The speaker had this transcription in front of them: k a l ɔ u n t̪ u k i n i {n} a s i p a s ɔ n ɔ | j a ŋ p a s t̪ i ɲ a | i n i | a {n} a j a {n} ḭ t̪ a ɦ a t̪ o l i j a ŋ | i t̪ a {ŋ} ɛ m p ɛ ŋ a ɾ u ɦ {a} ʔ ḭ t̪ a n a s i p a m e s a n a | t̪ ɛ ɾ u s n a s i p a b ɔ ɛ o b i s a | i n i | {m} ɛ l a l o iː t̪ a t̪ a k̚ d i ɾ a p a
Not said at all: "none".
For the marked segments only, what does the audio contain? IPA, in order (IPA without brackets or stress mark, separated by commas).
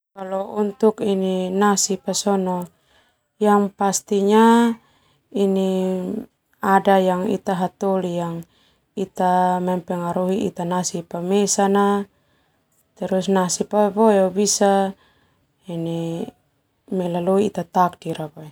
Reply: n, d, ŋ, m, i, m